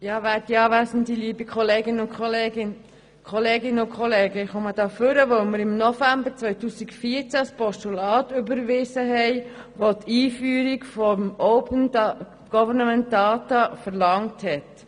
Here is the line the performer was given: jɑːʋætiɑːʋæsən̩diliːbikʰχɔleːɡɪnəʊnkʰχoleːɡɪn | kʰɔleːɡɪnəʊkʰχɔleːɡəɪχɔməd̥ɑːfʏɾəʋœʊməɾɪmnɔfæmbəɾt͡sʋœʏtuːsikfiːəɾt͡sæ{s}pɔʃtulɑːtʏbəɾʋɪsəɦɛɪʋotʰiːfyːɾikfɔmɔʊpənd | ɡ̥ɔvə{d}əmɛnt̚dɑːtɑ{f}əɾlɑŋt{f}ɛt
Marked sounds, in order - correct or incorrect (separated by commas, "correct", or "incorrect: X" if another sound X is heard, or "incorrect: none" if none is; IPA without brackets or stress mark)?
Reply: correct, incorrect: n, correct, incorrect: h